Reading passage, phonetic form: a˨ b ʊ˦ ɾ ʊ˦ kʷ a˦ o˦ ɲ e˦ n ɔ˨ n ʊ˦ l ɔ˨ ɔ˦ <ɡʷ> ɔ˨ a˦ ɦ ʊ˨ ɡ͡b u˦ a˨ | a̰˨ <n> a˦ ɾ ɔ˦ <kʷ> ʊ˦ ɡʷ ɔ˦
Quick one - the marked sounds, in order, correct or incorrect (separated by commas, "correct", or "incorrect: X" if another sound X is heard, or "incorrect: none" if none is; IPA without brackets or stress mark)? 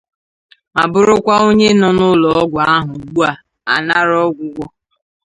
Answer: correct, correct, incorrect: ɡʷ